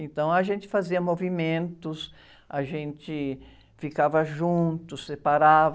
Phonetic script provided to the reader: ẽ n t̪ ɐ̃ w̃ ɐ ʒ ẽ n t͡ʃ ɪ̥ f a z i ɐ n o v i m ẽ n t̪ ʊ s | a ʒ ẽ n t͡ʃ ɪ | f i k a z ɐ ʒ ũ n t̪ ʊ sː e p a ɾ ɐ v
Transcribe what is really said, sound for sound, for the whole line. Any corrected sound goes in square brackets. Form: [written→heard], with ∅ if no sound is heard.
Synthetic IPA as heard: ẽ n t̪ ɐ̃ w̃ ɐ ʒ ẽ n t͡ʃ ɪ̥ f a z i ɐ [n→m] o v i m ẽ n t̪ ʊ s | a ʒ ẽ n t͡ʃ ɪ | f i k a [z→v] ɐ ʒ ũ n t̪ ʊ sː e p a ɾ [ɐ→a] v